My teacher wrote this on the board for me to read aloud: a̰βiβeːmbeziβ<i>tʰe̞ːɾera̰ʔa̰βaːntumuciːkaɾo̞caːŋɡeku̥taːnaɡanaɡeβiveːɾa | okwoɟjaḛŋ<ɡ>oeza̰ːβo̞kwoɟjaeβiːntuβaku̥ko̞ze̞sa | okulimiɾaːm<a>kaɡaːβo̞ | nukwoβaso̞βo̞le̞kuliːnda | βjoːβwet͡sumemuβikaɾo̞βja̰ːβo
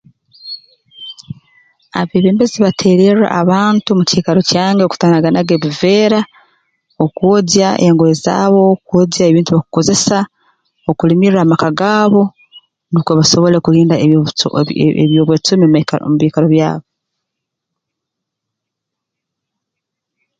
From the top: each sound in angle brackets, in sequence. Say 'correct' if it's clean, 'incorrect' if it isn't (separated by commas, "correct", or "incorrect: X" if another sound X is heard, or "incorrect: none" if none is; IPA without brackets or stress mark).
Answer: incorrect: a, correct, correct